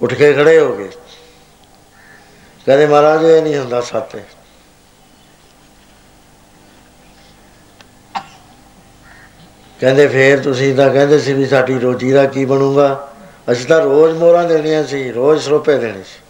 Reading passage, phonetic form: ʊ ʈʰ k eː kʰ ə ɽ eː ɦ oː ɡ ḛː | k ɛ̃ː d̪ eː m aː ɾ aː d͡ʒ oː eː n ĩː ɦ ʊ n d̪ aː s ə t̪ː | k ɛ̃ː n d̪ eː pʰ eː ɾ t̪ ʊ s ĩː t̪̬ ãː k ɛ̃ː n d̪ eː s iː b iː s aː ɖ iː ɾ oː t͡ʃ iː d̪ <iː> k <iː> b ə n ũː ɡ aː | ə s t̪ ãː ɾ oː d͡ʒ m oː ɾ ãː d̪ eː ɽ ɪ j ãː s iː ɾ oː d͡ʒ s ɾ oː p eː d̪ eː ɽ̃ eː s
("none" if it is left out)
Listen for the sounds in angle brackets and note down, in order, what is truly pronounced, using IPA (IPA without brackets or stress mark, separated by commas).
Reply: aː, iː